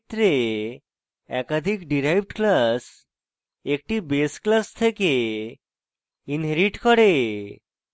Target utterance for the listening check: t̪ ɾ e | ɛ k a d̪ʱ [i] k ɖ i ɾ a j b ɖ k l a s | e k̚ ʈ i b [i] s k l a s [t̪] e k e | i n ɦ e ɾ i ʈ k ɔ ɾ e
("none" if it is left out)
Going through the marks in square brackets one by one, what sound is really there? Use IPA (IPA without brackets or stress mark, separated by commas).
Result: i, e, t̪ʰ